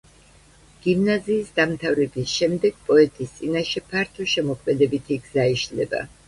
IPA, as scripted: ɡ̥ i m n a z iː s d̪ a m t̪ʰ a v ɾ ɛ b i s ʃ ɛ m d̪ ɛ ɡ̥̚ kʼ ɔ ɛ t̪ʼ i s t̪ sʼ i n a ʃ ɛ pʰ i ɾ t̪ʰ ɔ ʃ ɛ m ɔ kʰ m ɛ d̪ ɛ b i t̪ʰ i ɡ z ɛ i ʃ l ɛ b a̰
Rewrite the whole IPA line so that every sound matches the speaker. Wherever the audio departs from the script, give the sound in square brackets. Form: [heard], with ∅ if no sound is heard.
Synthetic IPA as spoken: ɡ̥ i m n a z iː s d̪ a m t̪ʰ a v ɾ ɛ b i s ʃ ɛ m d̪ ɛ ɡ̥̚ [pʼ] ɔ ɛ t̪ʼ i s t̪ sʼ i n a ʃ ɛ pʰ [a] ɾ t̪ʰ ɔ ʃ ɛ m ɔ kʰ m ɛ d̪ ɛ b i t̪ʰ i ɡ z [a] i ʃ l ɛ b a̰

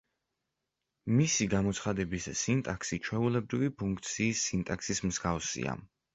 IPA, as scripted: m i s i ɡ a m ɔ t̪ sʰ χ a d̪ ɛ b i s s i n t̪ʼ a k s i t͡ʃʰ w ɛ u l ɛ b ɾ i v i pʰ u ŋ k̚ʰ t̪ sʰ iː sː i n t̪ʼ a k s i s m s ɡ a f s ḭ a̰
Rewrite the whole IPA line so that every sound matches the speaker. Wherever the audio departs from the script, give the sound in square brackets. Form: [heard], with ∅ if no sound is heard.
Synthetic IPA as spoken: m i s i ɡ a m ɔ t̪ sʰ χ a d̪ ɛ b i s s i n t̪ʼ a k s i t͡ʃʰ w ɛ u l ɛ b ɾ i v i pʰ u ŋ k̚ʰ t̪ sʰ iː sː i n t̪ʼ a k s i s m [z] ɡ a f s ḭ a̰

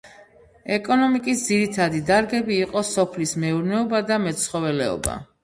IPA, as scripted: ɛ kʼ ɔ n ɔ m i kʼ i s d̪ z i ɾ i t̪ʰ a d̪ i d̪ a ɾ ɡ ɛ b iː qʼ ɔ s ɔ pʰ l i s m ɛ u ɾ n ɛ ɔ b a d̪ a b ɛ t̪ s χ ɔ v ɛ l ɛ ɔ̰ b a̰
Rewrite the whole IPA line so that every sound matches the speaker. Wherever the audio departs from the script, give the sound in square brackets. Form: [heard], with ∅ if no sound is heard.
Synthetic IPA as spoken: ɛ kʼ ɔ n ɔ m i kʼ i s d̪ z i ɾ i t̪ʰ a d̪ i d̪ a ɾ ɡ ɛ b iː qʼ ɔ s ɔ pʰ l i s m ɛ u ɾ n ɛ ɔ b a d̪ a [m] ɛ t̪ s χ ɔ v ɛ l ɛ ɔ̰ b a̰

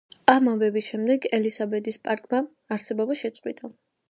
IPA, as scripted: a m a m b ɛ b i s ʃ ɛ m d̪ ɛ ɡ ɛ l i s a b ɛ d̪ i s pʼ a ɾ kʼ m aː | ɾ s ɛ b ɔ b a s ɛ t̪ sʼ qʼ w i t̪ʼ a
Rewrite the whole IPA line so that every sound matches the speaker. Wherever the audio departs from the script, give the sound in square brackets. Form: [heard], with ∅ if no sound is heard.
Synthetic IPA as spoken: a m a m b ɛ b i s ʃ ɛ m d̪ ɛ ɡ ɛ l i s a b ɛ d̪ i s pʼ a ɾ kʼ m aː | ɾ s ɛ b ɔ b a [ʃ] ɛ t̪ sʼ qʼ w i t̪ʼ a

